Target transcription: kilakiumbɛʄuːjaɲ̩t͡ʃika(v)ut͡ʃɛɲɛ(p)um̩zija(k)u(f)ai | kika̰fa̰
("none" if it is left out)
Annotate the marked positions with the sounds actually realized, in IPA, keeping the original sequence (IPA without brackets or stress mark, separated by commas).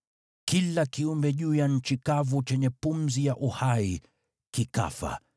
v, p, ʔ, h